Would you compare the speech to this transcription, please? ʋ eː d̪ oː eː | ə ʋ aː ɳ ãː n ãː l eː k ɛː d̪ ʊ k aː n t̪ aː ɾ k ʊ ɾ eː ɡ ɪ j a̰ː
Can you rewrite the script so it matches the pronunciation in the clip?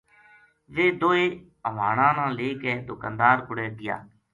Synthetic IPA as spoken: ʋ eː d̪ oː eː | ə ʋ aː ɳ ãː n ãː l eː k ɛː d̪ ʊ k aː n d̪ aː ɾ k ʊ ɽ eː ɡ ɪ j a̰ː